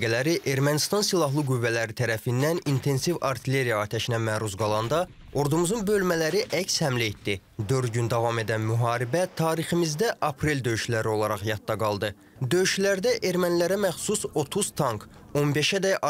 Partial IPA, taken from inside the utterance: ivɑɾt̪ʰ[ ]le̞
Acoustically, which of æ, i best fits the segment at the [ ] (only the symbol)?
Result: i